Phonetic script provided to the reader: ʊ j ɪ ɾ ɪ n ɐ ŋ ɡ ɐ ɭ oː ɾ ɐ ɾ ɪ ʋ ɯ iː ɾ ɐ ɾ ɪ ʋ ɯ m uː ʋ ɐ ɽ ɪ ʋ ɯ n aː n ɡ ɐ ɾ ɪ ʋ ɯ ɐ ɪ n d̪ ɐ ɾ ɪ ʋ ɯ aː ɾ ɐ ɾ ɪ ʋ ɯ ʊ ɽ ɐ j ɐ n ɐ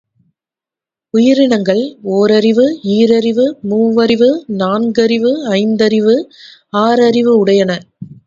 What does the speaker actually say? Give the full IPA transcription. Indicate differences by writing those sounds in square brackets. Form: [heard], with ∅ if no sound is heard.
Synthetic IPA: ʊ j ɪ ɾ ɪ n ɐ ŋ ɡ ɐ ɭ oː ɾ ɐ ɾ ɪ ʋ ɯ iː ɾ ɐ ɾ ɪ ʋ ɯ m uː ʋ ɐ [ɾ] ɪ ʋ ɯ n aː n ɡ ɐ ɾ ɪ ʋ ɯ ɐ ɪ n d̪ ɐ ɾ ɪ ʋ ɯ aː ɾ ɐ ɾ ɪ ʋ ɯ ʊ ɽ ɐ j ɐ n ɐ

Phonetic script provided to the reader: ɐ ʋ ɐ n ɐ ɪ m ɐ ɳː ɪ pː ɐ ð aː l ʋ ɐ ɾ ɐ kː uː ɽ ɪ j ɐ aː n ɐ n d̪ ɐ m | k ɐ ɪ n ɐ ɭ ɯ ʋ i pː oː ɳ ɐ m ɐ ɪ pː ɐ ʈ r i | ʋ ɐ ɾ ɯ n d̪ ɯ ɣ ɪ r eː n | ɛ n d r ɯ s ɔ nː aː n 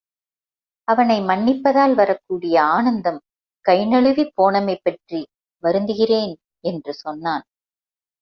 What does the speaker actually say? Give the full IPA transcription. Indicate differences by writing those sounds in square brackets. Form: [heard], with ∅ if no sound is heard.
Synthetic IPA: ɐ ʋ ɐ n ɐ ɪ m ɐ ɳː ɪ pː ɐ ð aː l ʋ ɐ ɾ ɐ kː uː ɽ ɪ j ɐ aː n ɐ n d̪ ɐ m | k ɐ ɪ n ɐ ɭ ɯ ʋ i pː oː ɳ ɐ m ɐ ɪ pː ɐ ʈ r i | ʋ ɐ ɾ ɯ n d̪ ɯ ɣ ɪ r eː n | ɛ n d r ɯ s ɔ nː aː n

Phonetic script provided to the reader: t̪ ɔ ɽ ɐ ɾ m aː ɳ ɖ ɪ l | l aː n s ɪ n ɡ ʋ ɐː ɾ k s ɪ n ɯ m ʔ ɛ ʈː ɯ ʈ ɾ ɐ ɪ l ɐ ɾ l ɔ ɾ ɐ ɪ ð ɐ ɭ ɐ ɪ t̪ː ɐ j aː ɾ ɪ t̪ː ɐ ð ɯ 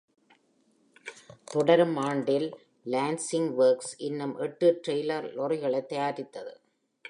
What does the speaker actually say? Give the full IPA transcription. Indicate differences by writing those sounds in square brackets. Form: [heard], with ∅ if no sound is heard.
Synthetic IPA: t̪ ɔ ɽ ɐ ɾ m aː ɳ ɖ ɪ l | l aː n s ɪ [ŋ] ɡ ʋ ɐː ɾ k s ɪ [nː] ɯ m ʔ ɛ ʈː ɯ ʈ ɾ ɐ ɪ l ɐ ɾ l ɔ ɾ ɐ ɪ [ɣ] ɐ ɭ ɐ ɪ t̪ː ɐ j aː ɾ ɪ t̪ː ɐ ð ɯ

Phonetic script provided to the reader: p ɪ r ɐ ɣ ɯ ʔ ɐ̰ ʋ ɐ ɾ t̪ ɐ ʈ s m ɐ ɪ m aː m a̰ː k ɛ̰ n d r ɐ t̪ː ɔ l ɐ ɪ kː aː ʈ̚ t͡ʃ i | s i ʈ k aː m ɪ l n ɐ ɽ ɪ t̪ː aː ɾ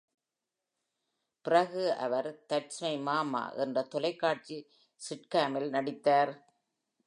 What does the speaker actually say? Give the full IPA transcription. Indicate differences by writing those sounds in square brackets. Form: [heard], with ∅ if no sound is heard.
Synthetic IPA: p ɪ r ɐ ɣ ɯ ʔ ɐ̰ ʋ ɐ ɾ t̪ ɐ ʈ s m ɐ ɪ m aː m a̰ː [ʔ] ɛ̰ n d r ɐ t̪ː ɔ l ɐ ɪ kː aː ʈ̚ t͡ʃ i | s [ɪ] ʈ k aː m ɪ l n ɐ ɽ ɪ t̪ː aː ɾ

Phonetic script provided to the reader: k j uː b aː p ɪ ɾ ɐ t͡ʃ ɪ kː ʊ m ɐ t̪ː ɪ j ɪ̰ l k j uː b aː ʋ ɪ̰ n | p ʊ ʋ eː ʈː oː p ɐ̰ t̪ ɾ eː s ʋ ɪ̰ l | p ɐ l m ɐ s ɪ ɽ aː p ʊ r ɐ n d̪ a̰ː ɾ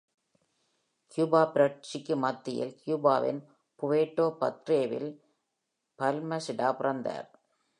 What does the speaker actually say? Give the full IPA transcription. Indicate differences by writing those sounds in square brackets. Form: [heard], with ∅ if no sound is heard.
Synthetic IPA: k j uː b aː p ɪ ɾ ɐ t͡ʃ ɪ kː [ɯ] m ɐ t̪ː ɪ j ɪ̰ l k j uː b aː ʋ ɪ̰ n | p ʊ ʋ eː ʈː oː p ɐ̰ t̪ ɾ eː [∅] ʋ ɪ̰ l | p ɐ l m ɐ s ɪ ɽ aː p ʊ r ɐ n d̪ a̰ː ɾ

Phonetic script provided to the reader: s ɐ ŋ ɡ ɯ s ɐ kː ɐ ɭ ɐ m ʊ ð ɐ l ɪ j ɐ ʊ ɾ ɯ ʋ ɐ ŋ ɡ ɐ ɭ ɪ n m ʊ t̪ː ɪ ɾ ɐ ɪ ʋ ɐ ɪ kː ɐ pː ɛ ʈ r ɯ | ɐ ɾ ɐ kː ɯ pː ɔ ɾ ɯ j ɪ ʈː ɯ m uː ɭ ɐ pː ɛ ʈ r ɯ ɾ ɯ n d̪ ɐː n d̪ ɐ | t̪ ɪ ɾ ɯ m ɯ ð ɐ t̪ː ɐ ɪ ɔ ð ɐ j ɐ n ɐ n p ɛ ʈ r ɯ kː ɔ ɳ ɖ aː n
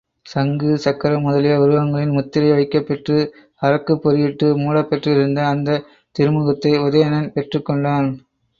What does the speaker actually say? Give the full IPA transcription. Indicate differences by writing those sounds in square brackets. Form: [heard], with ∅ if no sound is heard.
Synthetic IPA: s ɐ ŋ ɡ ɯ s ɐ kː ɐ [ɾ] ɐ m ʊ ð ɐ l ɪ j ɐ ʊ ɾ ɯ ʋ ɐ ŋ ɡ ɐ ɭ ɪ n m ʊ t̪ː ɪ ɾ ɐ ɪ ʋ ɐ ɪ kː ɐ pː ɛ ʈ r ɯ | ɐ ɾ ɐ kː ɯ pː ɔ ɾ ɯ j ɪ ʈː ɯ m uː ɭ ɐ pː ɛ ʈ r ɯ ɾ ɯ n d̪ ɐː n d̪ ɐ | t̪ ɪ ɾ ɯ m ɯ [ɣ] ɐ t̪ː ɐ ɪ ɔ ð ɐ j ɐ n ɐ n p ɛ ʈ r ɯ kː ɔ ɳ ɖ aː n

